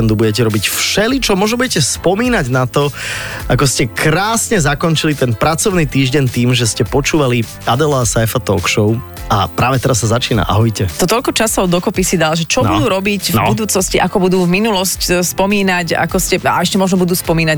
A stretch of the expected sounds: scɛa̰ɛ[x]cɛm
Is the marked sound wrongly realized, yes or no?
yes